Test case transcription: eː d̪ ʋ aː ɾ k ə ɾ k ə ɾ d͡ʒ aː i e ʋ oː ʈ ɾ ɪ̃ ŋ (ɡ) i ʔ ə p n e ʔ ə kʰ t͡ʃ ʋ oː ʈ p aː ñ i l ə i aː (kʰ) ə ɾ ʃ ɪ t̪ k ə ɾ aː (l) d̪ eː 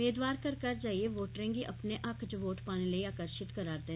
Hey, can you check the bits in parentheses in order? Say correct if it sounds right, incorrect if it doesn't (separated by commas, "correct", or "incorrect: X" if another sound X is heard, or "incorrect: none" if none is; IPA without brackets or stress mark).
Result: correct, incorrect: k, incorrect: ɾ